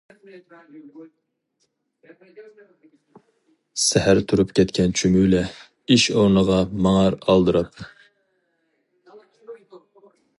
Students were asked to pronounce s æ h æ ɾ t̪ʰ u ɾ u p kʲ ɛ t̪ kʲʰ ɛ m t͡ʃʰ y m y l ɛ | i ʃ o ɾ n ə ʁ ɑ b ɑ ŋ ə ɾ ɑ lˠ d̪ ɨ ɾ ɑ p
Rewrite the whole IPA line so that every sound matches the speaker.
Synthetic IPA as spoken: s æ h æ ɾ t̪ʰ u ɾ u p kʲ ɛ t̪ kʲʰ ɛ n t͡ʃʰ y m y l ɛ | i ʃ o ɾ n ə ʁ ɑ m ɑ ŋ ɑ ɾ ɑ lˠ d̪ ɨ ɾ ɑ p